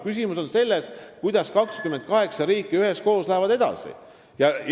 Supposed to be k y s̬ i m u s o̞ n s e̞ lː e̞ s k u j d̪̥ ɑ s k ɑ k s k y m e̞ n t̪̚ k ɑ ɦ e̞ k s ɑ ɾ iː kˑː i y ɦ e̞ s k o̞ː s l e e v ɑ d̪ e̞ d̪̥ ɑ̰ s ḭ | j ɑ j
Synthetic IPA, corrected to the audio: k y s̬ i m u s o̞ n s e̞ lː e̞ s k u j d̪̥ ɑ s k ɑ k s k y m e̞ n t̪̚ k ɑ ɦ e̞ k s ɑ ɾ iː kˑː i y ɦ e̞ s k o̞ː s l æ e v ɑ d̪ e̞ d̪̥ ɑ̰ s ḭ | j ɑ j